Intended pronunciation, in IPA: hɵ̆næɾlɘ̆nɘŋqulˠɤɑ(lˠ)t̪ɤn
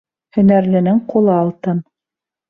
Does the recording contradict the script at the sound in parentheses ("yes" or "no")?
no